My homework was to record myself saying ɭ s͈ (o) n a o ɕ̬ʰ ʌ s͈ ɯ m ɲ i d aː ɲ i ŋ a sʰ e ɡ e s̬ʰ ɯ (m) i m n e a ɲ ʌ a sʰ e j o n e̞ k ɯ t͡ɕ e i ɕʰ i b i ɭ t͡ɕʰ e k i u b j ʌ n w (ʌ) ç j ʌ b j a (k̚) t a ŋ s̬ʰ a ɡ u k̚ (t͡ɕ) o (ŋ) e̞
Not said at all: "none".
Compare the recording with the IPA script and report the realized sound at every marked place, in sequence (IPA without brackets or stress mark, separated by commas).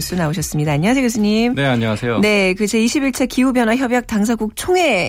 u, ɲ, a, k̚, t͡ɕʰ, ŋ